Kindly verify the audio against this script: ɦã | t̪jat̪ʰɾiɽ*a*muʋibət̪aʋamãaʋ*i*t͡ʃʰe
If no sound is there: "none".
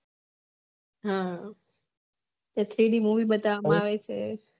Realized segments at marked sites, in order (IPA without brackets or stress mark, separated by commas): i, e